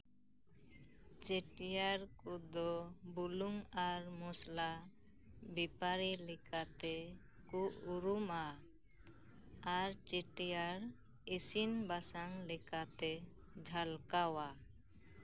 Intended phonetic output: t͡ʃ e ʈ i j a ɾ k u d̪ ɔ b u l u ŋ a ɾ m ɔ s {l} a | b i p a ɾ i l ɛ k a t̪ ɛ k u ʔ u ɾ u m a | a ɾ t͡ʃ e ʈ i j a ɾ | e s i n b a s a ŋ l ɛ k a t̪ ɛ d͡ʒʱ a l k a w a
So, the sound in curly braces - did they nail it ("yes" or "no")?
yes